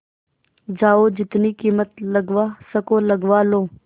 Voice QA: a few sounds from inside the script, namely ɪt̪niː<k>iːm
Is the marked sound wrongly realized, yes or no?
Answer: no